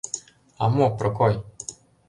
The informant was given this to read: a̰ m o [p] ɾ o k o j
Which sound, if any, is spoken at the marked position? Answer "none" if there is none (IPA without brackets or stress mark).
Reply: p